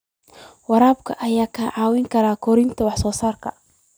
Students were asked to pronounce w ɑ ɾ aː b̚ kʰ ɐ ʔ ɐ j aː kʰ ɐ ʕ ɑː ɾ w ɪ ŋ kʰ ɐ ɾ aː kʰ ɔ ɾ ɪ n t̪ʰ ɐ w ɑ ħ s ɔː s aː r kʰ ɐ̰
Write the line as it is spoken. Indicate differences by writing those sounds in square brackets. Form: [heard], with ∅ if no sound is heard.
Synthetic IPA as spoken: w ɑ ɾ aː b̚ kʰ ɐ ʔ ɐ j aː kʰ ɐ ʕ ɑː [∅] w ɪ ŋ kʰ ɐ ɾ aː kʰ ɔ ɾ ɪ n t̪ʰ ɐ w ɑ ħ s ɔː s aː r kʰ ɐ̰